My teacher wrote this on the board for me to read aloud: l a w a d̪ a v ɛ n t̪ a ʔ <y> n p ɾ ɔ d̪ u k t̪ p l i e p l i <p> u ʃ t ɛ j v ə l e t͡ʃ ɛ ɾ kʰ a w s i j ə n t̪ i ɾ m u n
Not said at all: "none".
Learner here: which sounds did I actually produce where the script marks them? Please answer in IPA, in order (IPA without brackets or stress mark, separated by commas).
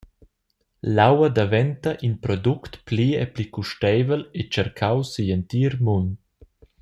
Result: i, k